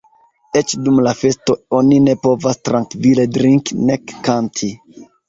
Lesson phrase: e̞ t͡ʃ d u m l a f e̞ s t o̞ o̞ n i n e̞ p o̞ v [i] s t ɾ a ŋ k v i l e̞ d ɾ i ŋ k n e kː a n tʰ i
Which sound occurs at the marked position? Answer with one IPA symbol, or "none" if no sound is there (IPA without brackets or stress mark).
a